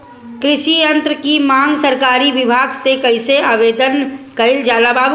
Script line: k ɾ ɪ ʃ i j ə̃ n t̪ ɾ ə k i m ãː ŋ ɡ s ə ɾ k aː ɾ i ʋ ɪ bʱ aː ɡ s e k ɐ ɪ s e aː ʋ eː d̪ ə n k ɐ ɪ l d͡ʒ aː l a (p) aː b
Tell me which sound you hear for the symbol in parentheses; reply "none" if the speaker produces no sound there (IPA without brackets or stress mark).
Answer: b